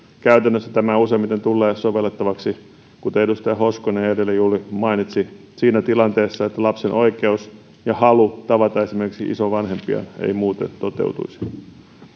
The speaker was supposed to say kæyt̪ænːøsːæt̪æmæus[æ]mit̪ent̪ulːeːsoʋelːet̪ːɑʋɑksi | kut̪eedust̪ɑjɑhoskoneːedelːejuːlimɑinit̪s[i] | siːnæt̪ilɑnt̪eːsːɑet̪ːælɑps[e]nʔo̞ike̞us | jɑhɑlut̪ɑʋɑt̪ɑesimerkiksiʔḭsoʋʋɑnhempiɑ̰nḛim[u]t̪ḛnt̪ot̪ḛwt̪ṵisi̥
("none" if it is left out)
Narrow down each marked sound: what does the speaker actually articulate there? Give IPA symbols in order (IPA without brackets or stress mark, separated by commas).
e, i, e, uː